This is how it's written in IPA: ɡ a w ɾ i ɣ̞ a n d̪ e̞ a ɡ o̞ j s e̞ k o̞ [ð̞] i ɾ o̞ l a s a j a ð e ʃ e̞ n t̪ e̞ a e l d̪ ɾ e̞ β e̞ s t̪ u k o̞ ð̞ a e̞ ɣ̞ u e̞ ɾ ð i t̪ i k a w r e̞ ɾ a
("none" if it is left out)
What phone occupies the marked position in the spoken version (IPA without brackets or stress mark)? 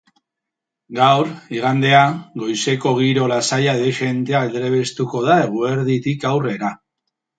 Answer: ɣ̞